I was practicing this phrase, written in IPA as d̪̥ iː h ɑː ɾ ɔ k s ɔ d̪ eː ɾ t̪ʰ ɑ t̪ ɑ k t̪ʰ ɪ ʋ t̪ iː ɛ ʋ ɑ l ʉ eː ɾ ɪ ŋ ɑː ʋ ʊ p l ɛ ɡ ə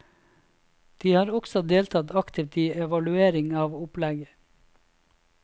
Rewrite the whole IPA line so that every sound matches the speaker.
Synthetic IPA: d̪̥ iː h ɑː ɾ ɔ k s ɔ d̪ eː l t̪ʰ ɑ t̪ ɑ k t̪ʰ ɪ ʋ t̪ iː ɛ ʋ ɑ l ʉ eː ɾ ɪ ŋ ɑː ʋ ʊ p l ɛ ɡ ə